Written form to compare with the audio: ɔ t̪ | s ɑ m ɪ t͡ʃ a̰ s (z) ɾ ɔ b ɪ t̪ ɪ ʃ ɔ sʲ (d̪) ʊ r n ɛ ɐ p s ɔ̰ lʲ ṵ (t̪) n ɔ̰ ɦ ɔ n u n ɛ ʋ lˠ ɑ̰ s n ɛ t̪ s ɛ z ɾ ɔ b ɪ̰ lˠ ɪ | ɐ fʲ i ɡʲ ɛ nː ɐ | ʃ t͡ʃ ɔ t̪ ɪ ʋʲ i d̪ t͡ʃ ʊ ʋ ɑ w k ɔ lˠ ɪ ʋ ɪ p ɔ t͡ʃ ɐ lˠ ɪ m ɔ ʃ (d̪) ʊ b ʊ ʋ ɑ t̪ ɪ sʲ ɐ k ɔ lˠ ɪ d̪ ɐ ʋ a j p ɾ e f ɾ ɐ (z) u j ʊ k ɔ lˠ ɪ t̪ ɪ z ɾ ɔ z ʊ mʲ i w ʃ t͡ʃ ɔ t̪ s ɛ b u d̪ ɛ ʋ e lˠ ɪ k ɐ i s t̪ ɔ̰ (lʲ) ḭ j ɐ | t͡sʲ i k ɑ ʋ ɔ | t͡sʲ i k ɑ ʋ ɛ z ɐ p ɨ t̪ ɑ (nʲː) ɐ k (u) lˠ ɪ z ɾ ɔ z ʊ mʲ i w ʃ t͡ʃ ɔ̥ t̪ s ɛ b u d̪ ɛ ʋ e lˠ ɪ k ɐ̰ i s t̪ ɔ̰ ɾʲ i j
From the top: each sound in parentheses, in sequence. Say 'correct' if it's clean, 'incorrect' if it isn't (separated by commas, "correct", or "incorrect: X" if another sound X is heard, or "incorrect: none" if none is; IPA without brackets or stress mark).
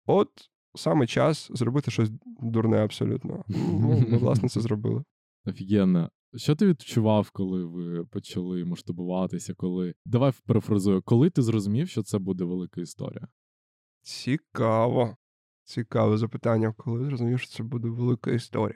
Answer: correct, correct, correct, incorrect: t̪, correct, incorrect: ɾʲ, correct, incorrect: ɔ